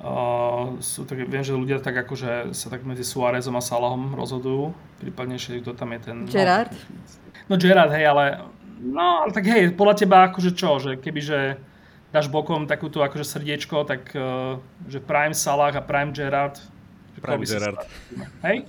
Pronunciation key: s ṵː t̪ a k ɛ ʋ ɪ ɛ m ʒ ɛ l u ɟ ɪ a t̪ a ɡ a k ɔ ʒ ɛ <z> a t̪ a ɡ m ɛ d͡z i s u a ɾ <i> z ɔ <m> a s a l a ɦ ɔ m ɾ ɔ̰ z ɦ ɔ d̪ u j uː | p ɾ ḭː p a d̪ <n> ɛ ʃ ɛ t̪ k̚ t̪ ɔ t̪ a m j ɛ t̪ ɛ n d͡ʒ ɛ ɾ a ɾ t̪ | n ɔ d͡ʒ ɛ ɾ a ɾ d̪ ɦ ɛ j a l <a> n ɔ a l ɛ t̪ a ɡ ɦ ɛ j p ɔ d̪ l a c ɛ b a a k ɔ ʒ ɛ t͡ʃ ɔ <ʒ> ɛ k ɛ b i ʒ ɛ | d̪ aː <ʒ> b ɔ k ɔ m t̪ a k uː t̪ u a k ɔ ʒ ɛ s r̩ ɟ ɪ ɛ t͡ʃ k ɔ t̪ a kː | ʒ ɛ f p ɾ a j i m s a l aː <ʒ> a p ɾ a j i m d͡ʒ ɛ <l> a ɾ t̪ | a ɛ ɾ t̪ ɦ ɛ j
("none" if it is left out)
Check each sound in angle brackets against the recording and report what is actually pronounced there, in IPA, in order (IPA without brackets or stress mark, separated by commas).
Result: s, ɛ, m, ɲ, ɛ, ʒ, ʒ, ɣ, ɾ